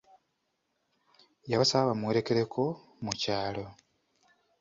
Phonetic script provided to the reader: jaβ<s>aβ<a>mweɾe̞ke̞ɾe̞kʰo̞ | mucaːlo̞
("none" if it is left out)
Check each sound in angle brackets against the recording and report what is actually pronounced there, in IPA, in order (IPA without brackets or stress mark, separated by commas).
s, a